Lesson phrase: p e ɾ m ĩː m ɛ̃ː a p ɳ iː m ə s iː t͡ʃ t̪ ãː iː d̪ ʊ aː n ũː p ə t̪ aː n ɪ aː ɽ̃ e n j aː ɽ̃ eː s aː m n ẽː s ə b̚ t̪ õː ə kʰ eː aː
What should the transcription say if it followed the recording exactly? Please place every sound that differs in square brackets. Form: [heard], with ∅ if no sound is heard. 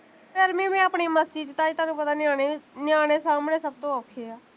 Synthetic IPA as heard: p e ɾ m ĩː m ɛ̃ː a p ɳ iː m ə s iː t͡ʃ t̪ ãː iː [t̪] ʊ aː n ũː p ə t̪ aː n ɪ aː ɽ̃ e n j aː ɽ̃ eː s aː m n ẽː s ə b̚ t̪ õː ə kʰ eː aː